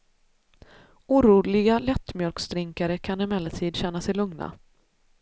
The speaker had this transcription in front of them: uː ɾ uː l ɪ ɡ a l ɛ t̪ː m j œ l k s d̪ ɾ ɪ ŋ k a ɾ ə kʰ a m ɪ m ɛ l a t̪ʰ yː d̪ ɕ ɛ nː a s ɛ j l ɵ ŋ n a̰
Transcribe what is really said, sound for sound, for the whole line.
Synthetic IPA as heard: uː ɾ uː l ɪ ɡ a l ɛ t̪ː m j œ l k s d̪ ɾ ɪ ŋ k a ɾ ə kʰ a n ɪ m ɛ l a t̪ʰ iː d̪ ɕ ɛ nː a s ɛ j l ɵ ŋ n a̰